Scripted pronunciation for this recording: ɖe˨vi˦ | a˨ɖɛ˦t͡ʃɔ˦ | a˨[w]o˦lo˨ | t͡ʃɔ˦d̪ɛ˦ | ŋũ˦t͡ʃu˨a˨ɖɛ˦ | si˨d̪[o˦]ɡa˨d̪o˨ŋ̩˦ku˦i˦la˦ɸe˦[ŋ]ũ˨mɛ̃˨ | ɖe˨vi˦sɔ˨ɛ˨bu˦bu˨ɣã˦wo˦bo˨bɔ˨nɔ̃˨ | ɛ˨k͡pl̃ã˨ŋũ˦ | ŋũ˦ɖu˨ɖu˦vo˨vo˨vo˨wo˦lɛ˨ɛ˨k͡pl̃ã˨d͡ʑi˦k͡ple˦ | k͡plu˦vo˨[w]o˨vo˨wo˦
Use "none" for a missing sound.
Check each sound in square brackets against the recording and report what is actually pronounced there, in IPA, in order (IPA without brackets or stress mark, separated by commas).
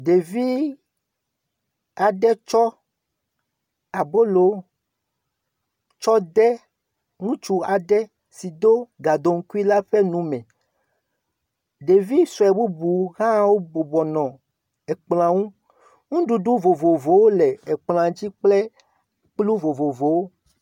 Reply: b, o˦, n, v